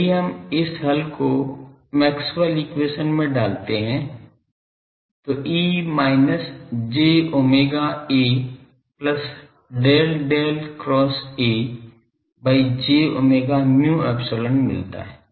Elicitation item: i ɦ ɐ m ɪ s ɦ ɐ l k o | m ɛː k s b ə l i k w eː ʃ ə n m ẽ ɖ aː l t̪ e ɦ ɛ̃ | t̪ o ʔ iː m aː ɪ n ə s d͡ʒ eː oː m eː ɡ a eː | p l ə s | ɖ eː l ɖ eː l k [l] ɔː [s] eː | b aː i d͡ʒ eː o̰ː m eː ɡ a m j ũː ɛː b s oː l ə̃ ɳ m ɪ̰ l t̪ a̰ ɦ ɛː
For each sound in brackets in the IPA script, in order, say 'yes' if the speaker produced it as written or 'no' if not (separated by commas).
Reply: no, yes